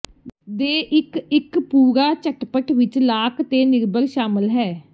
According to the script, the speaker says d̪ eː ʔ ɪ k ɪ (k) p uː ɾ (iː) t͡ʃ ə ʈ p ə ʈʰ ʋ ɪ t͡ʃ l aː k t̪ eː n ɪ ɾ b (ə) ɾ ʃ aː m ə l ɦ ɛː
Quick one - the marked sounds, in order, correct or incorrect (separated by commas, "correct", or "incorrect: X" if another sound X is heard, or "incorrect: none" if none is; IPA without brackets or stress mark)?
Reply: correct, incorrect: aː, correct